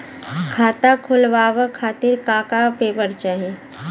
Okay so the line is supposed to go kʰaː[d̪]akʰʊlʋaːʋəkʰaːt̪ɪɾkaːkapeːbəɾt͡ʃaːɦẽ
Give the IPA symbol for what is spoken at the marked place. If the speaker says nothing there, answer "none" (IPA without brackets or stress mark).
t̪